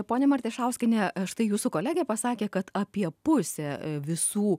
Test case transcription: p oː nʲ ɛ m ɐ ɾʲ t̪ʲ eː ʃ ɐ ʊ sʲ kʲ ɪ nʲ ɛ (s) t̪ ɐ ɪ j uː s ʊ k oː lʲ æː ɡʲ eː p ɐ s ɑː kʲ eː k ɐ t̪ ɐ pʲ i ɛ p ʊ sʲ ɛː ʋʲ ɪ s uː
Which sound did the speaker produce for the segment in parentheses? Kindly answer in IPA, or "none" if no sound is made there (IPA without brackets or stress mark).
ʃ